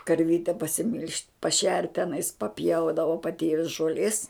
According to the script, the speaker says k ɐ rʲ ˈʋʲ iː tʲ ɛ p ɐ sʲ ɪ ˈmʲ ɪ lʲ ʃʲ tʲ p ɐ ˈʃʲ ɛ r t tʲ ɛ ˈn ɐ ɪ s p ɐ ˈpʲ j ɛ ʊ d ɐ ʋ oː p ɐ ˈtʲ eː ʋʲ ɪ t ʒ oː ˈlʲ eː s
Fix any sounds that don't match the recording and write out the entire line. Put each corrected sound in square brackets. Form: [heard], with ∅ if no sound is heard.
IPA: k ɐ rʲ ˈʋʲ iː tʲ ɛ p ɐ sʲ ɪ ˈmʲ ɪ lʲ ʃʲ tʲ p ɐ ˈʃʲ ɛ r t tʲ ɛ ˈn ɐ ɪ s p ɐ ˈpʲ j ɛ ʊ d ɐ ʋ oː p ɐ ˈtʲ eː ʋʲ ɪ [s] ʒ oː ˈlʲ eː s